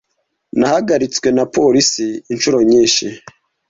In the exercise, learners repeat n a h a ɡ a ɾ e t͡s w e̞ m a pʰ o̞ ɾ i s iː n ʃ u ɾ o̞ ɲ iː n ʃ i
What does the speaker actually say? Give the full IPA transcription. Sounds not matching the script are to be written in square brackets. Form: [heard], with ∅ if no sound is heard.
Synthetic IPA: n a h a ɡ a ɾ [i] t͡s w e̞ [n] a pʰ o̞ ɾ i s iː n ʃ u ɾ o̞ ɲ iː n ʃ i